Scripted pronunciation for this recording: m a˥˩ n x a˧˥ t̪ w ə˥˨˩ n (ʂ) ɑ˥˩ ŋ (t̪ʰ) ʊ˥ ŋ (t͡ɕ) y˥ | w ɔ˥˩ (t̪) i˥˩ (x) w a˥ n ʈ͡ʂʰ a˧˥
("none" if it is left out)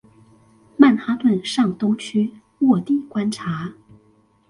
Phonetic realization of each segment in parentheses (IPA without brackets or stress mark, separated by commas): ʂ, t̪, t͡ɕʰ, t̪, k